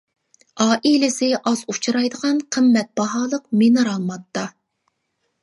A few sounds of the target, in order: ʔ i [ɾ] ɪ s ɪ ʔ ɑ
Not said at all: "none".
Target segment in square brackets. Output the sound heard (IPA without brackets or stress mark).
l